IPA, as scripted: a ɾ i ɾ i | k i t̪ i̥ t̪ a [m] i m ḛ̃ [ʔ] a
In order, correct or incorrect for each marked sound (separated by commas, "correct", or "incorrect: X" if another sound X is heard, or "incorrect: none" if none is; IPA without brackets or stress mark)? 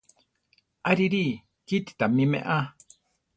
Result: correct, correct